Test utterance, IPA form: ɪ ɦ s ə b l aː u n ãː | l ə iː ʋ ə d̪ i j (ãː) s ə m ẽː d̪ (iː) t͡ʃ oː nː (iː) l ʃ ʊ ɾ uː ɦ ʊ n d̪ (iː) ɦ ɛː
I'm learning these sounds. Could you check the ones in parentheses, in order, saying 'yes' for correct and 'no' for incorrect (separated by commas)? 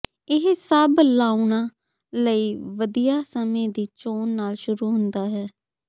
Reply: no, yes, no, no